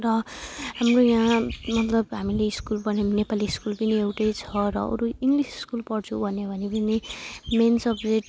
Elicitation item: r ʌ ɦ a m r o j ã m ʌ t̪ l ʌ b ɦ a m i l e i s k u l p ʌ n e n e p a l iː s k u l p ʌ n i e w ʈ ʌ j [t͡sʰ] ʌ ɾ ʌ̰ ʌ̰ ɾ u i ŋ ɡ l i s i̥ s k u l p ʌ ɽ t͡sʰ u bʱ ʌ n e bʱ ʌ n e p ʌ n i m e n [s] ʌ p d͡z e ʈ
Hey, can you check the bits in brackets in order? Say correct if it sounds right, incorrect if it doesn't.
correct, correct

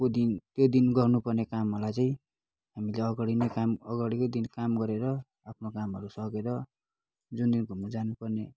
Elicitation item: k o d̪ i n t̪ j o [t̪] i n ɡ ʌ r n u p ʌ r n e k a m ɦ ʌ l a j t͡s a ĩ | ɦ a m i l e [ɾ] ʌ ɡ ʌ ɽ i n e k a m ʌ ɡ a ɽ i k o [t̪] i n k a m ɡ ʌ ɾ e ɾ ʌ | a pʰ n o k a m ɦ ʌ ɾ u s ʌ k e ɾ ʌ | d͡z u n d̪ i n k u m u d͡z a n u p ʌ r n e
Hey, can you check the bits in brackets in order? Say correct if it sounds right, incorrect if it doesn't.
incorrect, incorrect, incorrect

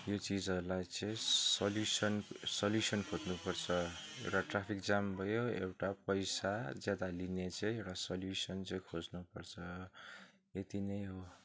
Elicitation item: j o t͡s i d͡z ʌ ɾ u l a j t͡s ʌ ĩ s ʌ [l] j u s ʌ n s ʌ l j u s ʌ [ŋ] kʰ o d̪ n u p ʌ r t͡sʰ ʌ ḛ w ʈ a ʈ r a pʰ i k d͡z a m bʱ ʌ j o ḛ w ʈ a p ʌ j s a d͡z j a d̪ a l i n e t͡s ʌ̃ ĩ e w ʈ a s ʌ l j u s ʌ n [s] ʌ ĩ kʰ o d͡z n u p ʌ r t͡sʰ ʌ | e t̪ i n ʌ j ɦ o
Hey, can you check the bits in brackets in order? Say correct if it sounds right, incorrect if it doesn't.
correct, incorrect, incorrect

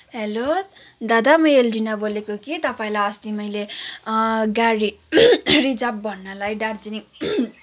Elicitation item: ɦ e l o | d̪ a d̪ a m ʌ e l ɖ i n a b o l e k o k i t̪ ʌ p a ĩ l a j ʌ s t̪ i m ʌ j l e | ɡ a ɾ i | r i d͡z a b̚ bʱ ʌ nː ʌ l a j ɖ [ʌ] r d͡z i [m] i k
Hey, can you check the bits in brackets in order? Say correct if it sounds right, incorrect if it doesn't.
incorrect, incorrect

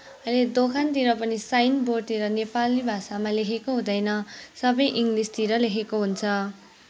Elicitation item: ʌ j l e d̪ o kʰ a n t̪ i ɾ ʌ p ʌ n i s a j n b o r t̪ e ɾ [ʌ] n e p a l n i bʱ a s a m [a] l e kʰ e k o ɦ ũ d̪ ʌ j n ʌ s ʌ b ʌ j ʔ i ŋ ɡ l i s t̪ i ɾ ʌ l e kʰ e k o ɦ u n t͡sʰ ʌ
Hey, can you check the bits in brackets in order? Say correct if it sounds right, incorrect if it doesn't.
correct, correct

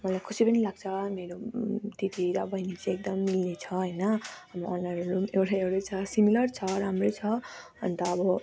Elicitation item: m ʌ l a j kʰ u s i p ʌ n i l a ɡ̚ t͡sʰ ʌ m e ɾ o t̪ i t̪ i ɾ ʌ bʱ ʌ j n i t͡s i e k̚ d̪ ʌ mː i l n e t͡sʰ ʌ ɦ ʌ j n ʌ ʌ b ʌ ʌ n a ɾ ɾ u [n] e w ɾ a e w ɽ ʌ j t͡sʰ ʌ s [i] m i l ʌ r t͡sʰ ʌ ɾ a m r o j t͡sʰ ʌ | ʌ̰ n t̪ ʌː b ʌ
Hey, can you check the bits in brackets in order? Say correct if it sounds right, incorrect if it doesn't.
incorrect, correct

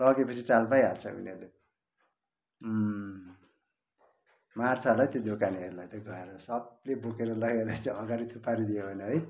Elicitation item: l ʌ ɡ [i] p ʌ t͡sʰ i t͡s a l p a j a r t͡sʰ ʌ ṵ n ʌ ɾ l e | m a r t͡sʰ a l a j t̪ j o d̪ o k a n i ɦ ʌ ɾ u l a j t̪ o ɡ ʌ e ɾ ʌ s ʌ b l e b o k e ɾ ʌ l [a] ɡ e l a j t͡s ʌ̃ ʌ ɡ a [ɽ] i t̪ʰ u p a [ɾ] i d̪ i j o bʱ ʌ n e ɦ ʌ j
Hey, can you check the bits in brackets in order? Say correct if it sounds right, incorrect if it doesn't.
incorrect, incorrect, incorrect, correct

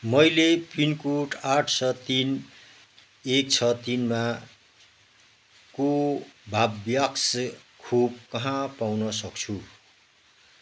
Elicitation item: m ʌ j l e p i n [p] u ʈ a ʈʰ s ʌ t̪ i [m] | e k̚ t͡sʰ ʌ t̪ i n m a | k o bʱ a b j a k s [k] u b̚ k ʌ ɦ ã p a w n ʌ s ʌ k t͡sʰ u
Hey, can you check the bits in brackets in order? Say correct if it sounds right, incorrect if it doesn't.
incorrect, incorrect, incorrect

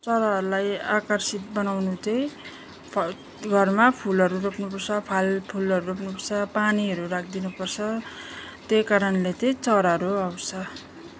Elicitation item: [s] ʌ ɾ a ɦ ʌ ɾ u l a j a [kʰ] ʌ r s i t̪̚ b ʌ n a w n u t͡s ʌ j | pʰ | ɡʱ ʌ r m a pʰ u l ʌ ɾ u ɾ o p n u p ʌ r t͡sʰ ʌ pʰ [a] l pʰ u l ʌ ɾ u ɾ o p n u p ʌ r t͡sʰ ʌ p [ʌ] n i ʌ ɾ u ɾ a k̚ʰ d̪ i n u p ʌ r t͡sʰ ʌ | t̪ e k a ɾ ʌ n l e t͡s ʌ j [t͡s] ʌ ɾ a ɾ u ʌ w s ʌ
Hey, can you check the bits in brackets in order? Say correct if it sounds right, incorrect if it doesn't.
incorrect, incorrect, correct, incorrect, correct

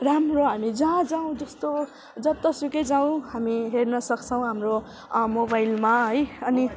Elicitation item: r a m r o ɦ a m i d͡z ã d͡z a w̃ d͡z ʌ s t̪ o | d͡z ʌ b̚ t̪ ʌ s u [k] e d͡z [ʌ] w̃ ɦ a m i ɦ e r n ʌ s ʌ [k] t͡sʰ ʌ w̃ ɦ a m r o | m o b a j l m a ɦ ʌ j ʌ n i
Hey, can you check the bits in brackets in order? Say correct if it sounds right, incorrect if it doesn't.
correct, incorrect, correct

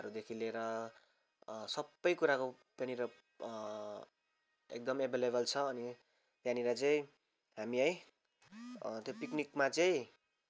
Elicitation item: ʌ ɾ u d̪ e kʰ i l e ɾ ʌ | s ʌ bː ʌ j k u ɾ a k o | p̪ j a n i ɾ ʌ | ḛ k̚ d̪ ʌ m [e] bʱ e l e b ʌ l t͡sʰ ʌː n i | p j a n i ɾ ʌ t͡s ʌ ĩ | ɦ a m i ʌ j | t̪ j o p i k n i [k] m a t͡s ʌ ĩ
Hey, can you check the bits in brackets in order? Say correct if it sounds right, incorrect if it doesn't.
correct, correct

